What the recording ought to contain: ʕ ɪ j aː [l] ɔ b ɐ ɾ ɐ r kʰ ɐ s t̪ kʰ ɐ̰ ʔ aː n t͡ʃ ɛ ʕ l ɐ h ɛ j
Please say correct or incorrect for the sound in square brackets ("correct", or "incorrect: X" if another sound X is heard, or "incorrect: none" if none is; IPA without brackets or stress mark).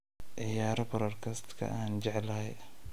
incorrect: ɾ